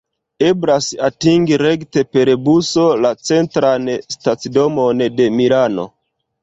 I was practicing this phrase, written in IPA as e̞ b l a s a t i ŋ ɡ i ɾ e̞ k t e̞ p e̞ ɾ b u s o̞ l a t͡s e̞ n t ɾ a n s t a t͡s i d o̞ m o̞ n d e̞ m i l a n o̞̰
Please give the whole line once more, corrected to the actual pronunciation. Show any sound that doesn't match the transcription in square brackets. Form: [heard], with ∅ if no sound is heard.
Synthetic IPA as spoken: e̞ b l a s a t i ŋ ɡ i ɾ e̞ k t e̞ p e̞ ɾ b u s o̞ l a t͡s e̞ n t ɾ a n s t a t͡s i d o̞ m o̞ n d e̞ m i l a n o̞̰